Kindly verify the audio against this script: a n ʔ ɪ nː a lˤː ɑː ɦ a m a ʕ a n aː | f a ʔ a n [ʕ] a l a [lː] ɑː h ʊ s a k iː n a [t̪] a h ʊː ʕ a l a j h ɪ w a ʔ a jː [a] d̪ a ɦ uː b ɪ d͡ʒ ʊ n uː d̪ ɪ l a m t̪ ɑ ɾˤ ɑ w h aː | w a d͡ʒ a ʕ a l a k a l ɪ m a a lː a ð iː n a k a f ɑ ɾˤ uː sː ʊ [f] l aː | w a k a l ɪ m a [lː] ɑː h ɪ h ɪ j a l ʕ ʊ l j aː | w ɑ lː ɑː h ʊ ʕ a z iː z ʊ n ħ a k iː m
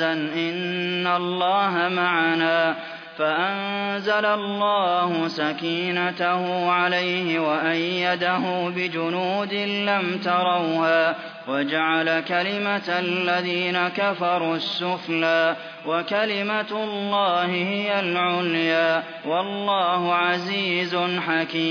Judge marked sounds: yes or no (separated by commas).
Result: no, yes, yes, yes, yes, yes